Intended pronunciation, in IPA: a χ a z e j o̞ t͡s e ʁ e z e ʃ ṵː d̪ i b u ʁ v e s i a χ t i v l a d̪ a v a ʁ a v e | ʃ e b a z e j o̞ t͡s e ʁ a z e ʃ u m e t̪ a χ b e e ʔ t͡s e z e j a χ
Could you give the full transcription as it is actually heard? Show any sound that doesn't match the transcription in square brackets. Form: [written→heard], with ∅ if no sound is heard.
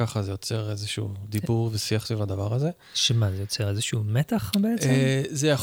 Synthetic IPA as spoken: a χ a z e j o̞ t͡s e ʁ e z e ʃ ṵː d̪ i b u ʁ v e s i a χ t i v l a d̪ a v a ʁ a [v→z] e | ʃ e [b→m] a z e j o̞ t͡s e ʁ [a→e] z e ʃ u m e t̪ a χ b e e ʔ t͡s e z e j a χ